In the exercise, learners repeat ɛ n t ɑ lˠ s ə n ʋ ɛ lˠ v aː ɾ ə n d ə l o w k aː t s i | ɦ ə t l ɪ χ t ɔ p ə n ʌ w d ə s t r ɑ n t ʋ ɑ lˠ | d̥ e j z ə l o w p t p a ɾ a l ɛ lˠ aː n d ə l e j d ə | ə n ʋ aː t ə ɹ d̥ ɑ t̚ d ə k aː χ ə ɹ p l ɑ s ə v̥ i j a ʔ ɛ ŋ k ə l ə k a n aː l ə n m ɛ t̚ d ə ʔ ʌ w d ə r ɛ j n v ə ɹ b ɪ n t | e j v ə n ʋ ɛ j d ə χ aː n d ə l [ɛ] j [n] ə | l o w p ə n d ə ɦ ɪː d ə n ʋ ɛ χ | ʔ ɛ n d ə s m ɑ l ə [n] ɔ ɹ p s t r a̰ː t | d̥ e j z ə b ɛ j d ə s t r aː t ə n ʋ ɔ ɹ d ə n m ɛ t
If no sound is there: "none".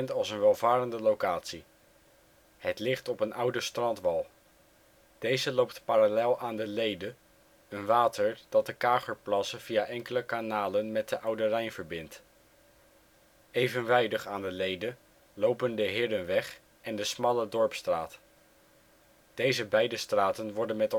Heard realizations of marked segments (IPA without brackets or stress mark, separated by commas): e, d, d